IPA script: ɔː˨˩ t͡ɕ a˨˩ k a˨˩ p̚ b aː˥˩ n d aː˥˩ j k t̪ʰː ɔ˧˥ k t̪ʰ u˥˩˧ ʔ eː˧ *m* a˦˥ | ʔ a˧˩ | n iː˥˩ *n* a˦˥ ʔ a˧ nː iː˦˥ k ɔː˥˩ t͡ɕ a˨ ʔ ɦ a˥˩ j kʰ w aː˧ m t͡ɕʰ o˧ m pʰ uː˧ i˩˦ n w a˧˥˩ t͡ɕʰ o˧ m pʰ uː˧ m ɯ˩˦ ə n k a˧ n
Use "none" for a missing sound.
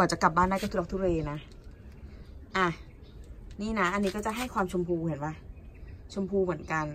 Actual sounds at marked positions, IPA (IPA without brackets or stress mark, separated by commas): n, n